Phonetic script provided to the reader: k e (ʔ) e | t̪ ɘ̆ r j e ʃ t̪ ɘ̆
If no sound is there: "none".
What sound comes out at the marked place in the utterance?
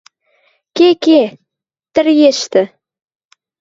k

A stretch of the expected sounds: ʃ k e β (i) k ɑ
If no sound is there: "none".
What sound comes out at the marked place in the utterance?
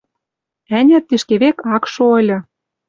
e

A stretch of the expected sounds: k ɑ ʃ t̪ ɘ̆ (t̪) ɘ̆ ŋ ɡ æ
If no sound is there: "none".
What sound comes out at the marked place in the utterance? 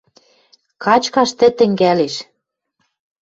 t̪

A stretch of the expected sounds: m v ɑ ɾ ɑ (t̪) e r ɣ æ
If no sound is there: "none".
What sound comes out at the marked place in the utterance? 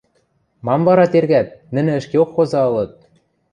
t̪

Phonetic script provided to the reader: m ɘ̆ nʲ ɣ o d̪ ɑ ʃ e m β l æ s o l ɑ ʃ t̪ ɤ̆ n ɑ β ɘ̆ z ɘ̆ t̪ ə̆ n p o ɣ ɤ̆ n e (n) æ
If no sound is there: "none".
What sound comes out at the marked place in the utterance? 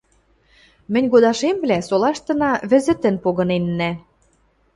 nː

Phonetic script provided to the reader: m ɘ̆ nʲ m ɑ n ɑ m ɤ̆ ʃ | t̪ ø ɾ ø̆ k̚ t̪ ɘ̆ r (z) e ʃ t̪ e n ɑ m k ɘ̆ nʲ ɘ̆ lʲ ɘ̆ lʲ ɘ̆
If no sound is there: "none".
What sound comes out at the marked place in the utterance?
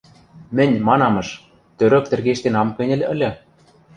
ɣ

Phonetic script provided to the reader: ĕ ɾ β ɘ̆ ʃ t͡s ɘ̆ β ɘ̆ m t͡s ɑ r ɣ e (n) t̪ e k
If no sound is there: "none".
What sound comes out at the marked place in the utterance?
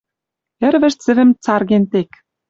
n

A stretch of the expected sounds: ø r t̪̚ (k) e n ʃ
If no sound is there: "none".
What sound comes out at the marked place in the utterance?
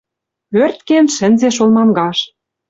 k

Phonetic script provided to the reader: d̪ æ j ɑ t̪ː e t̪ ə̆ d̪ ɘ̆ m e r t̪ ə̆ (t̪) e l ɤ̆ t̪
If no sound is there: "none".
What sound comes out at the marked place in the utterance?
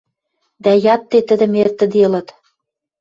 d̪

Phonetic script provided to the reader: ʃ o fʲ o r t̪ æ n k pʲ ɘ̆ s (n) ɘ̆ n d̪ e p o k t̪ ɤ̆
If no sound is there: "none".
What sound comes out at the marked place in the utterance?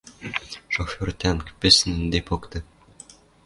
n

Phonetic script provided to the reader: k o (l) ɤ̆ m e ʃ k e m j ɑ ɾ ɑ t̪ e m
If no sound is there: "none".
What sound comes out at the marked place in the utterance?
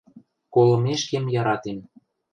l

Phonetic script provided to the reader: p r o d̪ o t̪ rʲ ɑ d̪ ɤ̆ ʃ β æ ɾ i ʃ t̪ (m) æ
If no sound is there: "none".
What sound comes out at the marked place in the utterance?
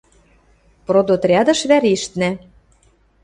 n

